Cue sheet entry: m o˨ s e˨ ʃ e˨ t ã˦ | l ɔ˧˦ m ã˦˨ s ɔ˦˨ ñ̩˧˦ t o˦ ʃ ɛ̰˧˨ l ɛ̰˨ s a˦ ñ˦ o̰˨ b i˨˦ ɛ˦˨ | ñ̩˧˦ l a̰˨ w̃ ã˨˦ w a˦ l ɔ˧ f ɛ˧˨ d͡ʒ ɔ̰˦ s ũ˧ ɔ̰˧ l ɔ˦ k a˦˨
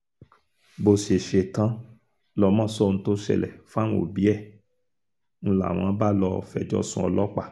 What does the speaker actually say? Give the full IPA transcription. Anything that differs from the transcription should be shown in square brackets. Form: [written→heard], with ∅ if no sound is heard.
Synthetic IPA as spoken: [m→b] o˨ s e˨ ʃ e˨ t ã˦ | l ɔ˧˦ m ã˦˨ s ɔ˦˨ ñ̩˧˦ t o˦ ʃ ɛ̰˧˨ l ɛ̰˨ [s→f] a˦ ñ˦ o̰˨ b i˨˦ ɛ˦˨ | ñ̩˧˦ l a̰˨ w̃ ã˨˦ [w→b] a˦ l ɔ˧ f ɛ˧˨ d͡ʒ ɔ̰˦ s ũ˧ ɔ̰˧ l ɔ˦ [k→k͡p] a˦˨